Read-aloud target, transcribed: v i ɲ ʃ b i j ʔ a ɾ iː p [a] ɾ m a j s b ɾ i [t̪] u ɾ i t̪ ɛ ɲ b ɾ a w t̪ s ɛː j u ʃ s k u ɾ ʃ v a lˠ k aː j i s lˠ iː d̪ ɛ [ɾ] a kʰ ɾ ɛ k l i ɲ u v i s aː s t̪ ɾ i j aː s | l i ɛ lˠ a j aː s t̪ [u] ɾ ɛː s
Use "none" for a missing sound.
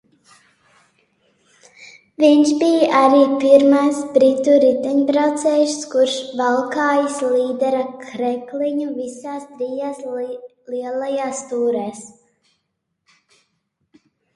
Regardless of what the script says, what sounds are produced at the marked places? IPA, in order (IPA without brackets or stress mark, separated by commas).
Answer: i, t̪, ɾ, uː